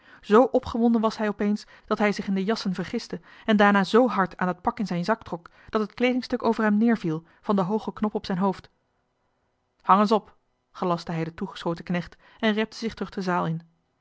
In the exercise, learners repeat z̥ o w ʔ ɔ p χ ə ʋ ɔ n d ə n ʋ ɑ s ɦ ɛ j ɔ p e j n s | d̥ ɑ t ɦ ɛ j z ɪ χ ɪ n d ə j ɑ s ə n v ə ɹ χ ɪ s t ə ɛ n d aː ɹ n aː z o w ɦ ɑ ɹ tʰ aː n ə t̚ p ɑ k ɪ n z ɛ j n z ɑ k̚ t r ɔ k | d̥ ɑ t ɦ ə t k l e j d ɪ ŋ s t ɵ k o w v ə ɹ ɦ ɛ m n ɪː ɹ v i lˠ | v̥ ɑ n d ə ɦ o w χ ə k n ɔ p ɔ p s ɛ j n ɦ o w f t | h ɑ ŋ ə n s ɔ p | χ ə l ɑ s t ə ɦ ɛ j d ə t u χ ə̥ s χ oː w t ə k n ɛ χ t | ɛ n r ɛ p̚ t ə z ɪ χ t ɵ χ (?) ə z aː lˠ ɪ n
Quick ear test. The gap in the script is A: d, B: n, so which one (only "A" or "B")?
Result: A